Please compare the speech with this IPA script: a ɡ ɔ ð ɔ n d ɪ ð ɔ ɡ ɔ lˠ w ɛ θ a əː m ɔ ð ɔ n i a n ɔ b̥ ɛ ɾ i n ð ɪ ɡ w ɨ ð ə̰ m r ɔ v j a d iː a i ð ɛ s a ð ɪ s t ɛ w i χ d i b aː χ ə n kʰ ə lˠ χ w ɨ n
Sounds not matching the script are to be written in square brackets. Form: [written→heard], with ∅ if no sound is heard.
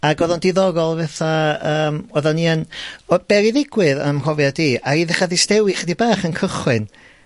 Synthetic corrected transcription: a ɡ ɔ ð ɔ n d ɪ ð ɔ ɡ ɔ lˠ [w→v] ɛ θ a əː m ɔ ð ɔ n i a n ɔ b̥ ɛ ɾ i [n→∅] ð ɪ ɡ w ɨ ð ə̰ m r ɔ v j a d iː a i ð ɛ [s→χ] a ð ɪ s t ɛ w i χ d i b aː χ ə n kʰ ə [lˠ→∅] χ w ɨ n